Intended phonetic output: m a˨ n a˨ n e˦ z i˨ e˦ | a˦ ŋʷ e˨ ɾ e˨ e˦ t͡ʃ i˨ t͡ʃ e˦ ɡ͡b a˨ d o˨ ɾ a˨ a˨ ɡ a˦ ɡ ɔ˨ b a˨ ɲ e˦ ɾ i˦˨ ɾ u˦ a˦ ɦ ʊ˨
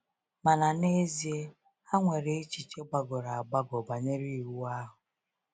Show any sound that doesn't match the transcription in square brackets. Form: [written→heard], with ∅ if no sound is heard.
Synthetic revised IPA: m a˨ n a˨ n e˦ z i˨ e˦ | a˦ ŋʷ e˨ ɾ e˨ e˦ t͡ʃ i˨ t͡ʃ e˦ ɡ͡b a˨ [d→ɡ] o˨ ɾ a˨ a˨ [ɡ→ɡ͡b] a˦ ɡ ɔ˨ b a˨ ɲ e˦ ɾ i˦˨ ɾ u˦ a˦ ɦ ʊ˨